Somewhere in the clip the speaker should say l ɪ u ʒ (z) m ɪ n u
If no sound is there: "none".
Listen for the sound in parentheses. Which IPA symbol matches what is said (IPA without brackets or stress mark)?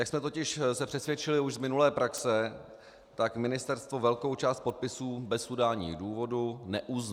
z